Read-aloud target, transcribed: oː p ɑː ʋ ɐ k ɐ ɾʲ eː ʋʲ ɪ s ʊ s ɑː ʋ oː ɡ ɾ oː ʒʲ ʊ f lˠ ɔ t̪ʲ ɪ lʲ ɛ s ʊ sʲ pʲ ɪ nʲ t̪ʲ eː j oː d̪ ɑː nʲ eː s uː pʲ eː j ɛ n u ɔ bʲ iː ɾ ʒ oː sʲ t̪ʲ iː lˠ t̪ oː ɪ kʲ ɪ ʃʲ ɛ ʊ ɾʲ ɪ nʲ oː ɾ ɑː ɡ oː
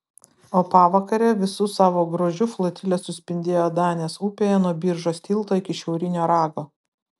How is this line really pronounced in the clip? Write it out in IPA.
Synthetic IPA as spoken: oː p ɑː ʋ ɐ k ɐ ɾʲ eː ʋʲ ɪ s ʊ s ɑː ʋ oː ɡ ɾ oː ʒʲ ʊ f lˠ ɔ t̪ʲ ɪ lʲ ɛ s ʊ sʲ pʲ ɪ nʲ d̪ʲ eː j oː d̪ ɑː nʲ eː s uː pʲ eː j ɛ n u ɔ bʲ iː ɾ ʒ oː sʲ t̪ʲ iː lˠ t̪ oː ɪ kʲ ɪ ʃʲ ɛ ʊ ɾʲ ɪ nʲ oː ɾ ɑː ɡ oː